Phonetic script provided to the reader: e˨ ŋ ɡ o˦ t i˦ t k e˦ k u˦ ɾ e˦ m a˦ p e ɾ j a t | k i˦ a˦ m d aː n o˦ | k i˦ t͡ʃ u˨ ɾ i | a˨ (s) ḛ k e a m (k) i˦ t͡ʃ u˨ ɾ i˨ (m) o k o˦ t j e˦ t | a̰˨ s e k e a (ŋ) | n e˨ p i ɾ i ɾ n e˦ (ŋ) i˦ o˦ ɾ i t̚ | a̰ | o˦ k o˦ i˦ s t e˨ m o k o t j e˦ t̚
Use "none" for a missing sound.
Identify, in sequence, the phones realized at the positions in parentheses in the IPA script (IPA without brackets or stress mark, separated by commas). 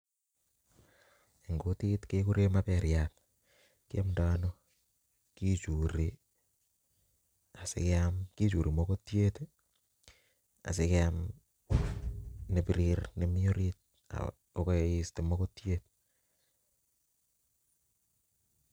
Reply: s, k, m, m, m